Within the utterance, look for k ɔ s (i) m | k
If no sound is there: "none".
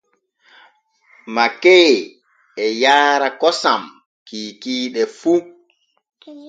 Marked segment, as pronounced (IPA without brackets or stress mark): a